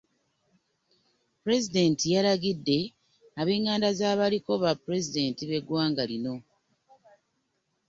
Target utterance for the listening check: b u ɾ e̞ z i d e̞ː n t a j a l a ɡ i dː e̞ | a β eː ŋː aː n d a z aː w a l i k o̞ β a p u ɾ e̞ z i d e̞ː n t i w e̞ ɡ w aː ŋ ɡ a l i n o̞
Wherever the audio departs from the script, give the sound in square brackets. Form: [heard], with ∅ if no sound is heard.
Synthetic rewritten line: [p] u ɾ e̞ z i d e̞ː n t [i] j a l a ɡ i dː e̞ | a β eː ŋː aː n d a z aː [β] a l i k o̞ β a p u ɾ e̞ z i d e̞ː n t i [β] e̞ ɡ w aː ŋ ɡ a l i n o̞

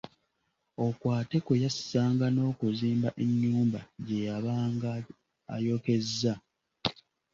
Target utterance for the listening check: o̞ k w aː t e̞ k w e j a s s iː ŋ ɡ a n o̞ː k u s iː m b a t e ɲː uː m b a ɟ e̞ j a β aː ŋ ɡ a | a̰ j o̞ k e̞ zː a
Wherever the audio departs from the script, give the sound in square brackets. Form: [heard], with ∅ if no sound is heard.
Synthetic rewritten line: o̞ k w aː t e̞ k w e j a s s [aː] ŋ ɡ a n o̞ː k u [z] iː m b a [ʔ] e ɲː uː m b a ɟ e̞ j a β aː ŋ ɡ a | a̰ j o̞ k e̞ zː a

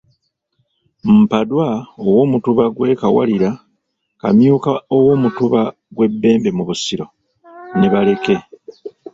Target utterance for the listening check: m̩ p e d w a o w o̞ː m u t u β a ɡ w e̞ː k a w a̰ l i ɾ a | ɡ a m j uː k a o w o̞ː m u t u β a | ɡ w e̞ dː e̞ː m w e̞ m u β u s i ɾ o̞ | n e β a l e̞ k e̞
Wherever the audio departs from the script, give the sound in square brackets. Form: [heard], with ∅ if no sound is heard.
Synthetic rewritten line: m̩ p [a] d w a o w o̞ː m u t u β a ɡ w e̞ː k a w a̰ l i ɾ a | [k] a m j uː k a o w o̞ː m u t u β a | ɡ w e̞ [bː] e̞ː m [b] e̞ m u β u s i ɾ o̞ | n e β a l e̞ k e̞

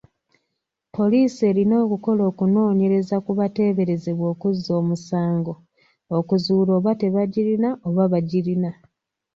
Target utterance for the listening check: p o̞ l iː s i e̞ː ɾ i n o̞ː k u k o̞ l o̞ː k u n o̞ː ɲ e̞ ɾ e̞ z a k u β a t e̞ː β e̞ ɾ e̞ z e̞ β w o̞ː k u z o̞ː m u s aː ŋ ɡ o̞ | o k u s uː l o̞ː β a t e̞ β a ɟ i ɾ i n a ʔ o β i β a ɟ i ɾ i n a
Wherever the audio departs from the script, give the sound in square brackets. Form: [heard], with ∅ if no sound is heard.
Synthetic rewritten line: p o̞ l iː s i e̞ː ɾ i n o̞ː k u k o̞ l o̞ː k u n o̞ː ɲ e̞ ɾ e̞ z a k u β a t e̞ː β e̞ ɾ e̞ z e̞ β w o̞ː k u z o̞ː m u s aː ŋ ɡ o̞ | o k u [z] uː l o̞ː β a t e̞ β a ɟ i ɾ i n a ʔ o β [a] β a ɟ i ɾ i n a

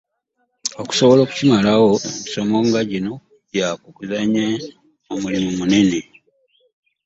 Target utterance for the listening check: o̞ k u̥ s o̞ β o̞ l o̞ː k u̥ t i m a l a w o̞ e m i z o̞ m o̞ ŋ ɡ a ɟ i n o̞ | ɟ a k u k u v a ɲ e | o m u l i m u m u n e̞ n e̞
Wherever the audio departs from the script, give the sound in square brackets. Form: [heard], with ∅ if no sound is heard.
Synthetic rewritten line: o̞ k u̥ s o̞ β o̞ l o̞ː k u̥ [c] i m a l a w o̞ e m i [s] o̞ m o̞ ŋ ɡ a ɟ i n o̞ | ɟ a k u k u [z] a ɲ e | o m u l i m u m u n e̞ n e̞

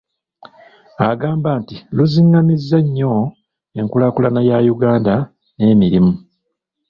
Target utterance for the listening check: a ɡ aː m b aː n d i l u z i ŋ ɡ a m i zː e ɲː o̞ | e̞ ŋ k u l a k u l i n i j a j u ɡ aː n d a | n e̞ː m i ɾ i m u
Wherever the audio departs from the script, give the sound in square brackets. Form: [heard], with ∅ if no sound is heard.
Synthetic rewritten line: a ɡ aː m b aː n [t] i l u z i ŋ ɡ a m i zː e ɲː o̞ | e̞ ŋ k u l a k u l [a] n [a] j a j u ɡ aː n d a | n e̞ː m i ɾ i m u

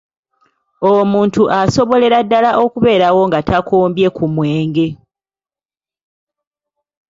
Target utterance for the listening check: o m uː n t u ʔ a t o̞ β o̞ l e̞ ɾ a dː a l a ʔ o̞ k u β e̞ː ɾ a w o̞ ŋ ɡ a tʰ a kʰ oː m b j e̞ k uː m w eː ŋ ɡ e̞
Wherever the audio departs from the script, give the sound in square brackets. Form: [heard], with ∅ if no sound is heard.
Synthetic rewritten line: o m uː n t u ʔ a [s] o̞ β o̞ l e̞ ɾ a dː a l a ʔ o̞ k u β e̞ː ɾ a w o̞ ŋ ɡ a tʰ a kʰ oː m b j e̞ k [u] m w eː ŋ ɡ e̞

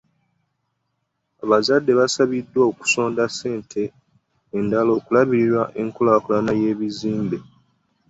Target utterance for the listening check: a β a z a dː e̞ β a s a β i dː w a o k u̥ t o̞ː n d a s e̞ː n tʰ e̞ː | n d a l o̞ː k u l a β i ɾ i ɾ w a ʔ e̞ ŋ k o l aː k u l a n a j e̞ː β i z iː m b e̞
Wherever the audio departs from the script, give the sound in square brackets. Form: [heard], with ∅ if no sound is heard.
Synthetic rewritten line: a β a z a dː e̞ β a s a β i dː w a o k u̥ [s] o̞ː n d a s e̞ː n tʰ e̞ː | n d a l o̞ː k u l a β i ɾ i ɾ w a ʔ e̞ ŋ k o l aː k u l a n a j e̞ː β i z iː m b e̞

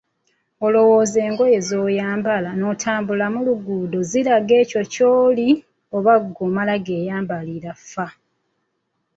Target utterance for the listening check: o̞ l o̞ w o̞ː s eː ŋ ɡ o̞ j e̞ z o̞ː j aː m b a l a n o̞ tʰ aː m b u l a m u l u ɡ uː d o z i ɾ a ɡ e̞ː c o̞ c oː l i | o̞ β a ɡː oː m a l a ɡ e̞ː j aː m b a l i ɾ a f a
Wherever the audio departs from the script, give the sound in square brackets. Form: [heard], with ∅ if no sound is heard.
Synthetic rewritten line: o̞ l o̞ w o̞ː [z] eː ŋ ɡ o̞ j e̞ z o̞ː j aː m b a l a n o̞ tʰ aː m b u l a m u l u ɡ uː d o z i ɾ a ɡ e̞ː c o̞ c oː l i | o̞ β a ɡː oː m a l a ɡ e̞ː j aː m b a l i ɾ a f a

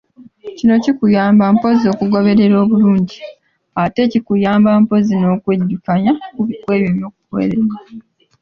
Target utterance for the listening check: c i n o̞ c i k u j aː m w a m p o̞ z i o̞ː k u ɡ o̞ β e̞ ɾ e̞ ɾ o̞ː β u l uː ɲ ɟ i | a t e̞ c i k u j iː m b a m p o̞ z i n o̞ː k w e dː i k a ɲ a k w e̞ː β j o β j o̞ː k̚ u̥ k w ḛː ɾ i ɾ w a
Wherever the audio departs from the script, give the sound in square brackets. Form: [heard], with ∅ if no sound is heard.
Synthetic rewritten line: c i n o̞ c i k u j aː m [b] a m p o̞ z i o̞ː k u ɡ o̞ β e̞ ɾ e̞ ɾ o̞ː β u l uː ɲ ɟ i | a t e̞ c i k u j [aː] m b a m p o̞ z i n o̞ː k w e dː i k a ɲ a k w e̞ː β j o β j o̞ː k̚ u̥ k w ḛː ɾ [e] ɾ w a

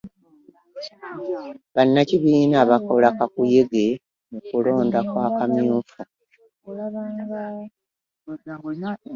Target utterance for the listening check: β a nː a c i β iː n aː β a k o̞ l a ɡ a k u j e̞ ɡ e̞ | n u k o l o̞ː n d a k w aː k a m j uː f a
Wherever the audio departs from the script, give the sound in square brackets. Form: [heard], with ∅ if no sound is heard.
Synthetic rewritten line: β a nː a c i β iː n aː β a k o̞ l a [k] a k u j e̞ ɡ e̞ | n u k [u] l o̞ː n d a k w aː k a m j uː f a

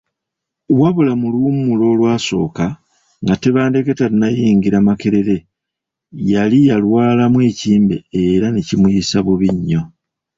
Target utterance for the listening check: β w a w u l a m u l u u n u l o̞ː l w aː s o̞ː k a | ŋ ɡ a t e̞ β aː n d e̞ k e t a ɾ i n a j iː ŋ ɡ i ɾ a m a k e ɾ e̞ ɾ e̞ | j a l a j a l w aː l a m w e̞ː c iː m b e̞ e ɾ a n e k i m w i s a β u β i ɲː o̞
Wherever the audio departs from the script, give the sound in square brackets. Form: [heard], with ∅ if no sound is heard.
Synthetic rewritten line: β w a [β] u l a m u l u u [m] u l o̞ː l w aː s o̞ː k a | ŋ ɡ a t e̞ β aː n d e̞ k e t a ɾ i n a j iː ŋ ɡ i ɾ a m a k e ɾ e̞ ɾ e̞ | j a l [i] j a l w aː l a m w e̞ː c iː m b e̞ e ɾ a n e [c] i m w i s a β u β i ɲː o̞

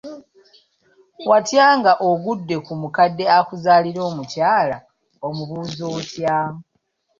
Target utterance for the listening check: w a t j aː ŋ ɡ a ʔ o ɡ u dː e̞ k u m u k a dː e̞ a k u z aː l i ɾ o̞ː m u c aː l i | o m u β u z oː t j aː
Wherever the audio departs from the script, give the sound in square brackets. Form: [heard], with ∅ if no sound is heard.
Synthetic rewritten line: w a t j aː ŋ ɡ a ʔ o ɡ u dː e̞ k u m u k a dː e̞ a k u z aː l i ɾ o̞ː m u c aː l [a] | o m u β u z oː t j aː

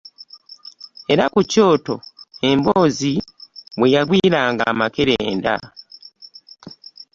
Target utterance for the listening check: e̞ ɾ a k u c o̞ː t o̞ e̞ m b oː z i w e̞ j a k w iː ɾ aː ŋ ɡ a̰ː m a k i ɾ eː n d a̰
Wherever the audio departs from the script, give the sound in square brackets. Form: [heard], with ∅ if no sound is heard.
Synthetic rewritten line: e̞ ɾ a k u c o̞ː t o̞ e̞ m b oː z i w e̞ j a [ɡ] w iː ɾ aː ŋ ɡ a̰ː m a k [e] ɾ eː n d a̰

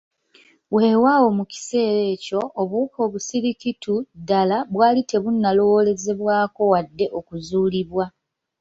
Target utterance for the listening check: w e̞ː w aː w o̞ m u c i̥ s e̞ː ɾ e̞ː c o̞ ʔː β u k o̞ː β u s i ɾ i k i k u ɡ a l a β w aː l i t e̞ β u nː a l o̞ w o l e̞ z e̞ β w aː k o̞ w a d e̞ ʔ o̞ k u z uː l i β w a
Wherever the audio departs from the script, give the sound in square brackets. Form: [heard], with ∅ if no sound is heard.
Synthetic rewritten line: w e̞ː w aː w o̞ m u c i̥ s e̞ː ɾ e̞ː c o̞ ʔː β u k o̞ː β u s i ɾ i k i [t] u [d] a l a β w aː l i t e̞ β u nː a l o̞ w o l e̞ z e̞ β w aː k o̞ w a [dː] e̞ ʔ o̞ k u z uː l i β w a

